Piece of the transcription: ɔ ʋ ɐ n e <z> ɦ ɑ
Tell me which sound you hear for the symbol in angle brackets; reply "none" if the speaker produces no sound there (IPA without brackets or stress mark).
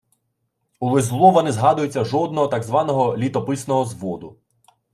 z